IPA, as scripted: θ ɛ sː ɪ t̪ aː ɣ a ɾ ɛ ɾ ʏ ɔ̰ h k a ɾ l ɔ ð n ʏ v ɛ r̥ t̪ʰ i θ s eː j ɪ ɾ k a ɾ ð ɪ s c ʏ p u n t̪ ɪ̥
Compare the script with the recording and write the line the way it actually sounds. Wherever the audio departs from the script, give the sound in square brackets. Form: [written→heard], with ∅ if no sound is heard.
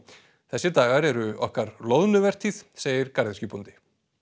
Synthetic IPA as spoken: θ ɛ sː ɪ t̪ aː ɣ a ɾ ɛ ɾ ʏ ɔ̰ h k a ɾ l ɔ ð n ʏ v ɛ r̥ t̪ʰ i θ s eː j ɪ ɾ k a ɾ ð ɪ s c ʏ p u n t̪ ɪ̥